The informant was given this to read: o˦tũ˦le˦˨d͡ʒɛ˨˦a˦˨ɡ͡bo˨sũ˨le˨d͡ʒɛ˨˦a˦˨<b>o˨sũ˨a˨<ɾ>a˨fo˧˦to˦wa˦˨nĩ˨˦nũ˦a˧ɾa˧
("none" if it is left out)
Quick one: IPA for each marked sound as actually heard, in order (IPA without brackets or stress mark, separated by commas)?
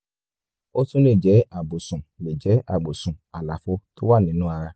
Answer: ɡ͡b, l